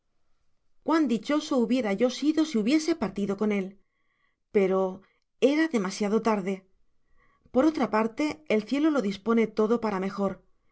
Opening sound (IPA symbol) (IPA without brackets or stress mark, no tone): k